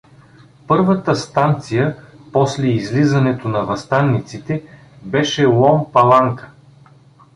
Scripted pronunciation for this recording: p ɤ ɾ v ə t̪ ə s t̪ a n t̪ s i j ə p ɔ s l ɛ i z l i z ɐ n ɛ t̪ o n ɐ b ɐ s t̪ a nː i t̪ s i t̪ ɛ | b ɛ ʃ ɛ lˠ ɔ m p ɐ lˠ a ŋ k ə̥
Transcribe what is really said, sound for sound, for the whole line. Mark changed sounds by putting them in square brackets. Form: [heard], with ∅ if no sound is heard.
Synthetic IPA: p ɤ ɾ v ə t̪ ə s t̪ a n t̪ s i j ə p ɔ s l ɛ i z l i z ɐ n ɛ t̪ o n ɐ [v] ɐ s t̪ a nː i t̪ s i t̪ ɛ | b ɛ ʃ ɛ lˠ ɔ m p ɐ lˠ a ŋ k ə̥

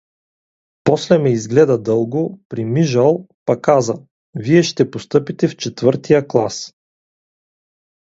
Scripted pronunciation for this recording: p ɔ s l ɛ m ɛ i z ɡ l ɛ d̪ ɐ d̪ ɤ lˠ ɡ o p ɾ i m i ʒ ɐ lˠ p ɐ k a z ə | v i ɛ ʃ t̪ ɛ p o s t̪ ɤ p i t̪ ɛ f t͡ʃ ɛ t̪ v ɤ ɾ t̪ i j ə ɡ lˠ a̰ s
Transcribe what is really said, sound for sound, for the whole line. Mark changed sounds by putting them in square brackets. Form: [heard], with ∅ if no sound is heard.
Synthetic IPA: p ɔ s l ɛ m ɛ i z ɡ l ɛ d̪ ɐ d̪ ɤ lˠ ɡ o p ɾ i m i ʒ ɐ lˠ p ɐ k a z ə | v i ɛ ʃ t̪ ɛ p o s t̪ ɤ p i t̪ ɛ f t͡ʃ ɛ t̪ v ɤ ɾ t̪ i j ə [k] lˠ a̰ s

